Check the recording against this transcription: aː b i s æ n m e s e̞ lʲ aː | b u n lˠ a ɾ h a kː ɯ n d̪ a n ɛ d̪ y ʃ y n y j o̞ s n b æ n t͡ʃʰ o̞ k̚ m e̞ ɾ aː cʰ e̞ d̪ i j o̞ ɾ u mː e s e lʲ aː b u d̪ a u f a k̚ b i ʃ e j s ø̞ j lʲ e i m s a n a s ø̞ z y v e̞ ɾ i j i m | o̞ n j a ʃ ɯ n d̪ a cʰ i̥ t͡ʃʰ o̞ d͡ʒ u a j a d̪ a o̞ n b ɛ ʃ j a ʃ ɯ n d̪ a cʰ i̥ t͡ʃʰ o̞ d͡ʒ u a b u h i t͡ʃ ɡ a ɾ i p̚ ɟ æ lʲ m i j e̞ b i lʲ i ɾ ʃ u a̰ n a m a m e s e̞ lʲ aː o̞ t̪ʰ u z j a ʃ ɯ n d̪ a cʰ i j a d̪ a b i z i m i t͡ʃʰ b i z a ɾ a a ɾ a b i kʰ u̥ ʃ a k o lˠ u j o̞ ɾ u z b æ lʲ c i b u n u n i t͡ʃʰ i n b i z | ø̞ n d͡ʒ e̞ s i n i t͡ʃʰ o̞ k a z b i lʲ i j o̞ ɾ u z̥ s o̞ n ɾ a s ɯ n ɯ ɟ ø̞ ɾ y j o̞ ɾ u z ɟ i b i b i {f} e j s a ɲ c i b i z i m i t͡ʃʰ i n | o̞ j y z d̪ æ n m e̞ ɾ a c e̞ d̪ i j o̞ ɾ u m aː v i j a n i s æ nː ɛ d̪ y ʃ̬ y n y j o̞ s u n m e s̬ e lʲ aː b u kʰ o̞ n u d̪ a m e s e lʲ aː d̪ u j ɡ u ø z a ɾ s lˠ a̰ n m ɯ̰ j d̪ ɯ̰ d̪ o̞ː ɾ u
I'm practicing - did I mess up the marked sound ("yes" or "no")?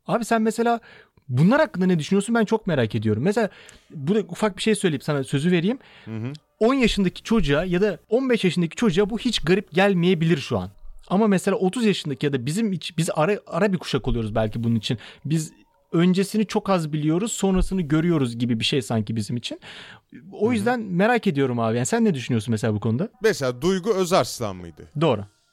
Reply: yes